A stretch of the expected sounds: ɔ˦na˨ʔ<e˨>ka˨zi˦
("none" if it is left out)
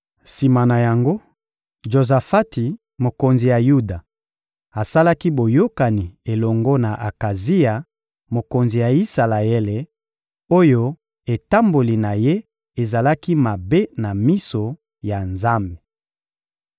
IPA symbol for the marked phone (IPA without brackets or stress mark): a˨